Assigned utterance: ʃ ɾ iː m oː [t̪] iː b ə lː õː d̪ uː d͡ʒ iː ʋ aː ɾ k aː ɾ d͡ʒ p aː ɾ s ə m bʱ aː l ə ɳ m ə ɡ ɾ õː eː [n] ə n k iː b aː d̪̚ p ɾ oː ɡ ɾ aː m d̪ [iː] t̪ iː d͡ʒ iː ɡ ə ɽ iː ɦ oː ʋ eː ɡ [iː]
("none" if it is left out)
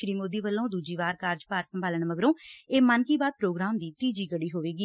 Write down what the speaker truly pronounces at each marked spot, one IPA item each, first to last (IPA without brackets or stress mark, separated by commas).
d̪, m, iː, iː